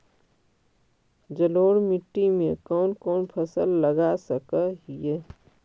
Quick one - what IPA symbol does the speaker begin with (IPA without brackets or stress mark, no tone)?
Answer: d͡ʒ